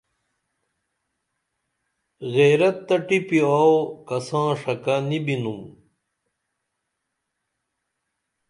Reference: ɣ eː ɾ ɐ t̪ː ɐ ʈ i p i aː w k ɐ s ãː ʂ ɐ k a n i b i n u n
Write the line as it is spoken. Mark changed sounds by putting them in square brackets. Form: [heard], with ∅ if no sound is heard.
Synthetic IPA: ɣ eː ɾ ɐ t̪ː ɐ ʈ i p i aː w k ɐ s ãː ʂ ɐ k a n i b i n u [m]

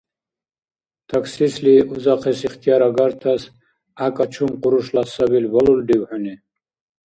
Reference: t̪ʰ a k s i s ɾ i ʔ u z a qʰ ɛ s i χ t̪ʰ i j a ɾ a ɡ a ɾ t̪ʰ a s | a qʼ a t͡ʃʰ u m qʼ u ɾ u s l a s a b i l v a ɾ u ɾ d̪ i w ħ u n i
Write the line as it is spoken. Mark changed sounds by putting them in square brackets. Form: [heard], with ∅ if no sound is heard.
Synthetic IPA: t̪ʰ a k s i s [l] i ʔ u z a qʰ ɛ s i χ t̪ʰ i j a ɾ a ɡ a ɾ t̪ʰ a s | a [kʼ] a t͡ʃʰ u m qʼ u ɾ u [ʃ] l a s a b i l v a [l] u [l] d̪ i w ħ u n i

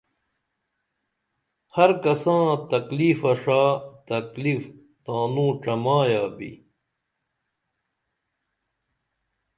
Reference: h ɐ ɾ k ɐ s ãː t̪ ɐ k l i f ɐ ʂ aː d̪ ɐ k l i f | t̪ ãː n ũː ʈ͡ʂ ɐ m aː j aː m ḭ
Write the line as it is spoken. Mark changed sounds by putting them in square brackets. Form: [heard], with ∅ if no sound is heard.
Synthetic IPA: h ɐ ɾ k ɐ s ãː t̪ ɐ k l i f ɐ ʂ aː [t̪] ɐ k l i f | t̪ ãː n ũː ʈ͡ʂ ɐ m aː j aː [b] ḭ

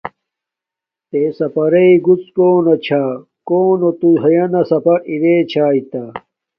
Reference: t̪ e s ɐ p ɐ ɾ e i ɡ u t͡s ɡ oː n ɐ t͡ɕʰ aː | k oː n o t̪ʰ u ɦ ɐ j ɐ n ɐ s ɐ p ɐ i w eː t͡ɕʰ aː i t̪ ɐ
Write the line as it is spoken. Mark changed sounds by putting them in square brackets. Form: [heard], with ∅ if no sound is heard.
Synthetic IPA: t̪ e s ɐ p ɐ ɾ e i ɡ u t͡s [k] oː n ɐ t͡ɕʰ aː | k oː n o [t̪] u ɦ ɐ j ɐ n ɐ s ɐ p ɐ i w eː t͡ɕʰ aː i t̪ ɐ

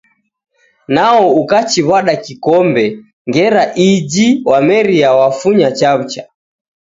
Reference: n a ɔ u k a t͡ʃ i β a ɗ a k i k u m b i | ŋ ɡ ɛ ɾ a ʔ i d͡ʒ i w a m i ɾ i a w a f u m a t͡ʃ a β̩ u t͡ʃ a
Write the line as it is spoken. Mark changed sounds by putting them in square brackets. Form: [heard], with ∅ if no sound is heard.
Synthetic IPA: n a ɔ u k a t͡ʃ i β a ɗ a k i k [ɔ] m b [ɛ] | ŋ ɡ ɛ ɾ a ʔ i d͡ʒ i w a m [ɛ] ɾ i a w a f u [ɲ] a t͡ʃ a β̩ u t͡ʃ a

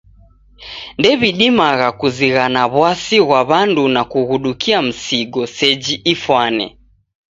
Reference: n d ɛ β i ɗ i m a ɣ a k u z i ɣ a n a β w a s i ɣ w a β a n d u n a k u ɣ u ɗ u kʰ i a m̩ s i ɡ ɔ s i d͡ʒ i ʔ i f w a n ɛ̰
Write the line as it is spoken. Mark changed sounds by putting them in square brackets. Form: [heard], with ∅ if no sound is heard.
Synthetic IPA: n d ɛ β i ɗ i m a ɣ a k u z i ɣ a n a β w a s i ɣ w a β a n d u n a k u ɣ u ɗ u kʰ i a m̩ s i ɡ ɔ s [ɛ] d͡ʒ i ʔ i f w a n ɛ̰

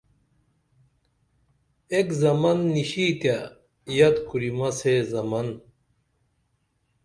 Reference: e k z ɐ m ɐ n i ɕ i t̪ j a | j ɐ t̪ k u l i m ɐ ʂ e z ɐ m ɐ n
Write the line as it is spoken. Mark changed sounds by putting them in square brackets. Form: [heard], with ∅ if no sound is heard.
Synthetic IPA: e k z ɐ m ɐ [nː] i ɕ i t̪ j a | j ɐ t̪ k u [ɾ] i m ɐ [s] e z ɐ m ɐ n

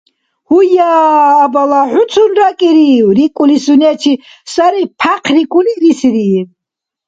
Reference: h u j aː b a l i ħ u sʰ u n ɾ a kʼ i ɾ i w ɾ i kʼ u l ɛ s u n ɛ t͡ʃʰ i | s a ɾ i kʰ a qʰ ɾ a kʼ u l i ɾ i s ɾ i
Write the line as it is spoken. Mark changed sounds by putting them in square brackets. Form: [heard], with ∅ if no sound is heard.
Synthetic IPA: h u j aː b a l [a] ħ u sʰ u n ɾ a kʼ i ɾ i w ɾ i kʼ u l [i] s u n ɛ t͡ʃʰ i | s a ɾ i [pʰ] a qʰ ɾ [i] kʼ u l i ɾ i s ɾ i

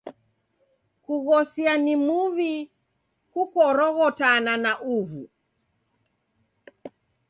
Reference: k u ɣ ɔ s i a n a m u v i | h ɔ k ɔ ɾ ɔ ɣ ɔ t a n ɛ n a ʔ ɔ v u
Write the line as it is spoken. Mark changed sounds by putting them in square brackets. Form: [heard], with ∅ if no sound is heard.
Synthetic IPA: k u ɣ ɔ s i a n [i] m u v i | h [u] k ɔ ɾ ɔ ɣ ɔ t a n [a] n a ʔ [u] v u

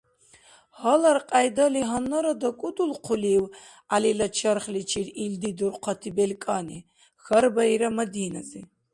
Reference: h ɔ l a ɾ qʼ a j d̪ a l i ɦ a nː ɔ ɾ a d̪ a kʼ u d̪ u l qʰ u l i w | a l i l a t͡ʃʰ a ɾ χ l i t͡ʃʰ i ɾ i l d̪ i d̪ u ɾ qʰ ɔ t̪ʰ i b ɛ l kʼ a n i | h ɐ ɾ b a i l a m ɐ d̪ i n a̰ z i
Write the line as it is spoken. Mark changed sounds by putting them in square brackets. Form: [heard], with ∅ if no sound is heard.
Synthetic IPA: h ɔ l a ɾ qʼ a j d̪ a l i ɦ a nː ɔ ɾ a d̪ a kʼ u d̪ u l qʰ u l i w | a l i l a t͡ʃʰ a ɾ χ l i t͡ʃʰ i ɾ i l d̪ i d̪ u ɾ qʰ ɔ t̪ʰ i b ɛ l kʼ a n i | [x] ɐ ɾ b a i [ɾ] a m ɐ d̪ i n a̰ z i

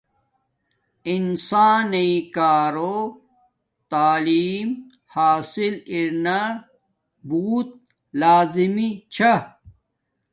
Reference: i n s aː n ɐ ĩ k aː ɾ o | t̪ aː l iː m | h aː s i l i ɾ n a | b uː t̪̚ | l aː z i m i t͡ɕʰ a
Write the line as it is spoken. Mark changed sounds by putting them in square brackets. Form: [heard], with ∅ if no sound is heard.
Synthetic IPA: i n s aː n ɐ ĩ k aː ɾ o | t̪ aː l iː m | h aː s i l i ɾ n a | b uː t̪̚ | l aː z i m i t͡ɕʰ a

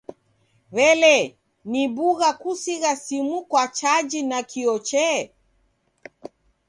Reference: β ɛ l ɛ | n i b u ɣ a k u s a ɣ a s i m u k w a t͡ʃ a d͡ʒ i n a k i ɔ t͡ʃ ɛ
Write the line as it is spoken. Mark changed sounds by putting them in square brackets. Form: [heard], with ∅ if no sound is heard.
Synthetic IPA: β ɛ l ɛ | n i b u ɣ a k u s [i] ɣ a s i m u k w a t͡ʃ a d͡ʒ i n a k i ɔ t͡ʃ ɛ

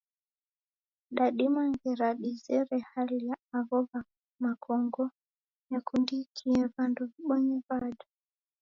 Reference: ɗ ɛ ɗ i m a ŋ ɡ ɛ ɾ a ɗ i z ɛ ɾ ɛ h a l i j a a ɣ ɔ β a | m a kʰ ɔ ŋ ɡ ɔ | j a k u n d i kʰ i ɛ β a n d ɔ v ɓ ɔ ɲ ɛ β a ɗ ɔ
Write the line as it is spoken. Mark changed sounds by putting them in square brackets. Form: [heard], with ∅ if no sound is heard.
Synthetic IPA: ɗ [a] ɗ i m a ŋ ɡ ɛ ɾ a ɗ i z ɛ ɾ ɛ h a l i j a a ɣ ɔ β a | m a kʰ ɔ ŋ ɡ ɔ | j a k u n d i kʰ i ɛ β a n d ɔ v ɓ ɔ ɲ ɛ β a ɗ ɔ

